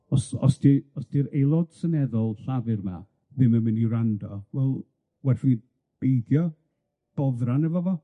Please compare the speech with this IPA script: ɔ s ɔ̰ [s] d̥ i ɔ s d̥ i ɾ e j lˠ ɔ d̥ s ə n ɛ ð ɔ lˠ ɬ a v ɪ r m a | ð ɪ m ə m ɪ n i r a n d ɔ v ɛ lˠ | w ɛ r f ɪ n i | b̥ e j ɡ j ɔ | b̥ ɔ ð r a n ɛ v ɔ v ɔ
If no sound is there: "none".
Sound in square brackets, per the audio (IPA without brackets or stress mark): s